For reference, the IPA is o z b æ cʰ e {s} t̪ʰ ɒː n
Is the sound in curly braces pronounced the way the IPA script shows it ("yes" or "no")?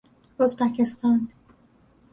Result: yes